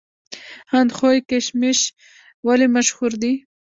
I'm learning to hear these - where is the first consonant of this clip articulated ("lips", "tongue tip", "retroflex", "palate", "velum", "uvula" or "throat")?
throat